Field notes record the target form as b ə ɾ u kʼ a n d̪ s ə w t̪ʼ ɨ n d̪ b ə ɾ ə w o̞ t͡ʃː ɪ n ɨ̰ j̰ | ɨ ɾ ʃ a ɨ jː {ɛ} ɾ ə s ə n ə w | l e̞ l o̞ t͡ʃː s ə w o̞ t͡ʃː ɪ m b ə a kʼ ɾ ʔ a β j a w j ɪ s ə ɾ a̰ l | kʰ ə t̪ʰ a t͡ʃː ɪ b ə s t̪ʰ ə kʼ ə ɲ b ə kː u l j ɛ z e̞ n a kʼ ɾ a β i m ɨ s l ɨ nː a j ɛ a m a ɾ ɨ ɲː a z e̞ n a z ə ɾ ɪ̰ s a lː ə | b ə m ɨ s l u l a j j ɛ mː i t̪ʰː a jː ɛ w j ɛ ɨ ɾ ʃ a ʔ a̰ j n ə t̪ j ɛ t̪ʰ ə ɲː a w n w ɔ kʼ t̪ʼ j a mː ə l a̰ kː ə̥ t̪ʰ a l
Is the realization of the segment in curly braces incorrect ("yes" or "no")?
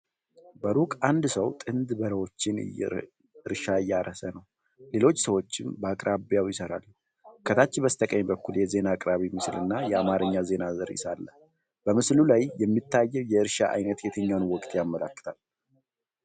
yes